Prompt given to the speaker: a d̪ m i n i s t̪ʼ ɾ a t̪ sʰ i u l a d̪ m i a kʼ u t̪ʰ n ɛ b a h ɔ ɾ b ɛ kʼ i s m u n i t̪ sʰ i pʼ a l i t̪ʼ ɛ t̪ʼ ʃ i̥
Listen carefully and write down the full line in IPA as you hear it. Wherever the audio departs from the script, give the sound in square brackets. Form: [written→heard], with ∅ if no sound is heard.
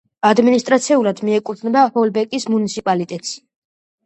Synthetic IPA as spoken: a d̪ m i n i s t̪ʼ ɾ a t̪ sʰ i u l a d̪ m i [a→ɛ] kʼ u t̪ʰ n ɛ b a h ɔ [ɾ→l] b ɛ kʼ i s m u n i t̪ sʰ i pʼ a l i t̪ʼ ɛ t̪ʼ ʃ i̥